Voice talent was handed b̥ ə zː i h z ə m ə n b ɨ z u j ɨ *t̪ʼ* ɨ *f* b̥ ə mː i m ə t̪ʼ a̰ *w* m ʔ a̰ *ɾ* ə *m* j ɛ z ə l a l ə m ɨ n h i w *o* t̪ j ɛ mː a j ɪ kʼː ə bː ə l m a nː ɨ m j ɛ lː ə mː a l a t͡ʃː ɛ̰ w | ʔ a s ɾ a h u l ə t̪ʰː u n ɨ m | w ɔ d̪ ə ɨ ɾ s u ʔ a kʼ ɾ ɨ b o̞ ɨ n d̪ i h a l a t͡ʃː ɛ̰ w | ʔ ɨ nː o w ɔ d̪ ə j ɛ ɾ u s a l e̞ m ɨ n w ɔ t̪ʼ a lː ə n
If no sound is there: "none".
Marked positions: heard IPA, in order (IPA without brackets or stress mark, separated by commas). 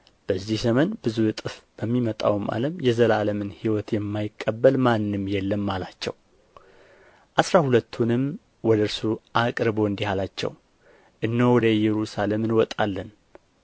t̪ʼ, f, w, l, m, ɔ